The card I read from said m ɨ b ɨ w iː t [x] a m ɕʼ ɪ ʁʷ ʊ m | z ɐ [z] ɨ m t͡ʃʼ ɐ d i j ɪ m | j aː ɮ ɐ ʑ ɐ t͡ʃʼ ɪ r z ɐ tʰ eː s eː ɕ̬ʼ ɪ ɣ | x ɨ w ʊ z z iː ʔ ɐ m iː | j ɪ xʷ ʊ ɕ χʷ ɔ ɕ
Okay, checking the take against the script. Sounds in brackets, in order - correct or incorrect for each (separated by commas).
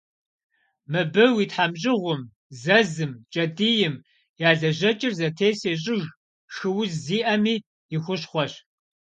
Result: incorrect, correct